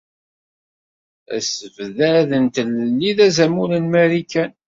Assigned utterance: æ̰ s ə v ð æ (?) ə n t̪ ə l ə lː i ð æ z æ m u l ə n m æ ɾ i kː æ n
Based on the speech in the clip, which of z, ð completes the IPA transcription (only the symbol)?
ð